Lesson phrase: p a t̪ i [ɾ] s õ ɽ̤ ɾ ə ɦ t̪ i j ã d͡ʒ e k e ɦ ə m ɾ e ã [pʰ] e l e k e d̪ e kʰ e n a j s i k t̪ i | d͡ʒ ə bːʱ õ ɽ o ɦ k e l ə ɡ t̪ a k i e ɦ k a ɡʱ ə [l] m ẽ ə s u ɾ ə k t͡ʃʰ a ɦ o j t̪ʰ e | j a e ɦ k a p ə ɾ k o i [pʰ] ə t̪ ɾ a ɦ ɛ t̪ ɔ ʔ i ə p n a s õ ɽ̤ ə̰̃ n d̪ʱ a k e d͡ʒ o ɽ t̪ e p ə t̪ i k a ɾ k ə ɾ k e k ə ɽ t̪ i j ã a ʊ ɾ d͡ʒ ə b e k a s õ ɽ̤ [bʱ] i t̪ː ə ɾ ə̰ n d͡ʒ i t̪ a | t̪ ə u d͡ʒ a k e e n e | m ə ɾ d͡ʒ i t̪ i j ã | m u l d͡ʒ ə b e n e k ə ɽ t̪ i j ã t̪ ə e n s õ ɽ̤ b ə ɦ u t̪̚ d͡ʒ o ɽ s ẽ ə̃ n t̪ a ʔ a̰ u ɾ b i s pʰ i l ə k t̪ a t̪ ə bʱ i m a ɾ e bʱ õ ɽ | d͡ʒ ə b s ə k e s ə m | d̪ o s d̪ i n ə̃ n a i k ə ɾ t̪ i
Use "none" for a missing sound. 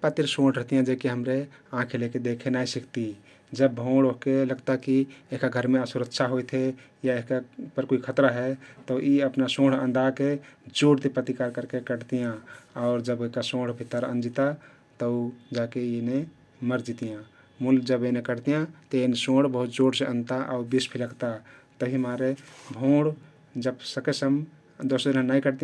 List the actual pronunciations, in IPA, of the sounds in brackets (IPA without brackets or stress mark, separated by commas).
ɾ, kʰ, ɾ, kʰ, bʱ